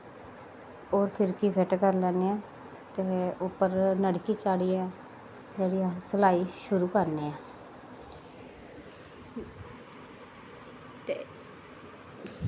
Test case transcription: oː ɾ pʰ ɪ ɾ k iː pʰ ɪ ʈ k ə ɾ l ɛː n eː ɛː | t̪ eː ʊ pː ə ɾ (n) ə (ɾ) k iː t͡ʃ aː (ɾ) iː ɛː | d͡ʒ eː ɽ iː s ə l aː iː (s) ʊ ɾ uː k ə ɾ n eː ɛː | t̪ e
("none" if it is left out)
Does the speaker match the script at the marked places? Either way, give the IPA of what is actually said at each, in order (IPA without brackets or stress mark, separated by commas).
n, ɽ, ɽ, ʃ